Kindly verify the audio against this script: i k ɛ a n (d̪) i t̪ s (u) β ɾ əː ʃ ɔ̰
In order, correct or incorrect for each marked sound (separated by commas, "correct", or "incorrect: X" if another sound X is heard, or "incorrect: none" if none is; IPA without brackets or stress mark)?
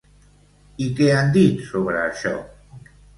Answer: correct, incorrect: o